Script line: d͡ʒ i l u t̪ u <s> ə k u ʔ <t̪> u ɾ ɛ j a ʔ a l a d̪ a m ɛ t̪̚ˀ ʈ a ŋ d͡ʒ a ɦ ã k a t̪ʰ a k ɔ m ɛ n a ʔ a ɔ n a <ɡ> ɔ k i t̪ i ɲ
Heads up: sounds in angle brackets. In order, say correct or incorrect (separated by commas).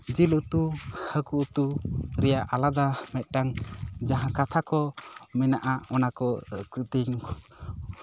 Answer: incorrect, correct, incorrect